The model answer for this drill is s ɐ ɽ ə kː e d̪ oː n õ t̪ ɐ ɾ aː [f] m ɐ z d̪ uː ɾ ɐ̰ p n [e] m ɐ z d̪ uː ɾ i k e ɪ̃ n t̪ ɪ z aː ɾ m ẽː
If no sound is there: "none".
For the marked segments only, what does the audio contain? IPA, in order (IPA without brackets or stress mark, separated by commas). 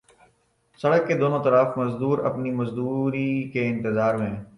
f, i